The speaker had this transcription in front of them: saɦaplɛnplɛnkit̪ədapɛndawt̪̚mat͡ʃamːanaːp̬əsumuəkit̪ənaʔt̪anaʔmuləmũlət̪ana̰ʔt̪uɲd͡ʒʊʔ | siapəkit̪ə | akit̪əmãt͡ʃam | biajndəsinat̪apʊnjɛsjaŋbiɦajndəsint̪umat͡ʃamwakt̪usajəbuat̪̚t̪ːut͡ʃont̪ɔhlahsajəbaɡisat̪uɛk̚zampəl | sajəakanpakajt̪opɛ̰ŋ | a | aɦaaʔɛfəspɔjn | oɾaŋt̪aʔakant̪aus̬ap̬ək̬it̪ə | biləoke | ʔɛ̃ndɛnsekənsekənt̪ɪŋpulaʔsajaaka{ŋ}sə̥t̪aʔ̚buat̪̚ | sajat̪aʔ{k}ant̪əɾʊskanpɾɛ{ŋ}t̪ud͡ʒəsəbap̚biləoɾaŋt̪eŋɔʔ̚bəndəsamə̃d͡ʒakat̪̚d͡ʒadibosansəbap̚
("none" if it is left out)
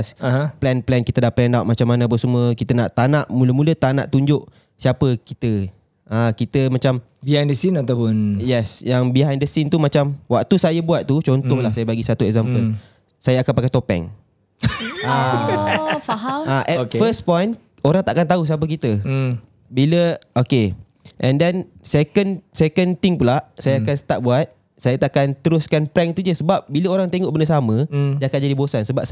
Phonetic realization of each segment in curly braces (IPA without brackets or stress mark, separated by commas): n, k, ŋ